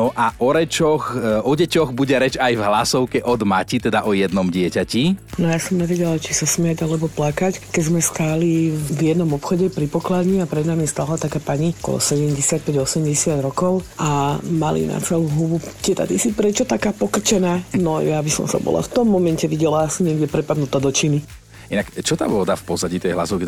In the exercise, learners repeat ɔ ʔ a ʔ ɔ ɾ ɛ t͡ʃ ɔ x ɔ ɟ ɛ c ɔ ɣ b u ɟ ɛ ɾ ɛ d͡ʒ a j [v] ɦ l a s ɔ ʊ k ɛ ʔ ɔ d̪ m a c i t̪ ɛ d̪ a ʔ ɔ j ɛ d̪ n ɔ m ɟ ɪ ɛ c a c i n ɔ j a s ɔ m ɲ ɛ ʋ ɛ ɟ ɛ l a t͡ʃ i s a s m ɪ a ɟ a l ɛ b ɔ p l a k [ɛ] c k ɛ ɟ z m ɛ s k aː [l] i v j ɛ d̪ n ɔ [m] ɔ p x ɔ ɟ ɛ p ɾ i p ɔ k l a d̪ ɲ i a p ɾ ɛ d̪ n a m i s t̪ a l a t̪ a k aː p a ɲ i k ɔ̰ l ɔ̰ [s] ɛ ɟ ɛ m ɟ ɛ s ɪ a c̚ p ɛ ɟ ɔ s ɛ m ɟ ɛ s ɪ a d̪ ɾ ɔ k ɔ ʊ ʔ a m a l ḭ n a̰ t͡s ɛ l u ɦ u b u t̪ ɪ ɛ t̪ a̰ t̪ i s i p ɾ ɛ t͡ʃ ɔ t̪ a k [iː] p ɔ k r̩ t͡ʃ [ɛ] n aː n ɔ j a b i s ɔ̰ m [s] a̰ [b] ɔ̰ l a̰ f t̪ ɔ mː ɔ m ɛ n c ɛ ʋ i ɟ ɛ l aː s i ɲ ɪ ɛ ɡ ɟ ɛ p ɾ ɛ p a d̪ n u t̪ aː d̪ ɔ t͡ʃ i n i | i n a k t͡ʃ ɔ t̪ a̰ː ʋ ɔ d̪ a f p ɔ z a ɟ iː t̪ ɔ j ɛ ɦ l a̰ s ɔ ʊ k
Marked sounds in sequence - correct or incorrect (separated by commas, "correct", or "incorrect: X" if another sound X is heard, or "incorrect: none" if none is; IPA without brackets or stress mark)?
correct, incorrect: a, correct, correct, correct, incorrect: aː, correct, correct, correct